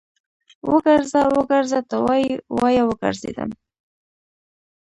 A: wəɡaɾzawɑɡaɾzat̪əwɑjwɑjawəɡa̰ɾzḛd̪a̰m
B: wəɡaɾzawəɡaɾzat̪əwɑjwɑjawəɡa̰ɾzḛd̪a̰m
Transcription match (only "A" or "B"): B